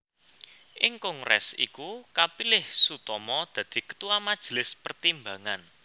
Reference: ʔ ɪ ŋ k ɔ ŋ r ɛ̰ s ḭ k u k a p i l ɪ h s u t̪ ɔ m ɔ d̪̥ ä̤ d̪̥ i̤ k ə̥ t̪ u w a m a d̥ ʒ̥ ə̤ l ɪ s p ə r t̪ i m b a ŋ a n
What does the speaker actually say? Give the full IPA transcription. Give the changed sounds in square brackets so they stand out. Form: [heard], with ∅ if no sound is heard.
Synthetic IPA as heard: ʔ ɪ ŋ k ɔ ŋ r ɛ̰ s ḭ k u k a p i l ɪ h s u t̪ ɔ m ɔ d̪̥ ä̤ d̪̥ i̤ k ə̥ t̪ u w a m a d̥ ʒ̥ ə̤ l ɪ s p ə r t̪ i m b a ŋ a n

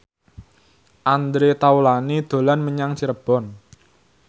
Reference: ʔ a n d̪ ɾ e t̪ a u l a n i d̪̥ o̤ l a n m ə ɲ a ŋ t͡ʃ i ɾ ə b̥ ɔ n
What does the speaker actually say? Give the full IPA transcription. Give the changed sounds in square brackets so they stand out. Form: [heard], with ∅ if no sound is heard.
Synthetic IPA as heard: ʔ a n d̪ ɾ e t̪ a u l a n i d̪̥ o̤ l a n m ə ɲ a ŋ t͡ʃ i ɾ ə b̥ ɔ n

